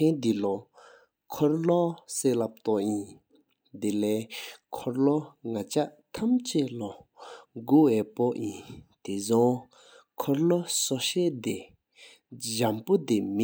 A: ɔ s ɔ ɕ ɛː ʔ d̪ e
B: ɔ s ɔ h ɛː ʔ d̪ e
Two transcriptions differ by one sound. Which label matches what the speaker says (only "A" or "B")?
A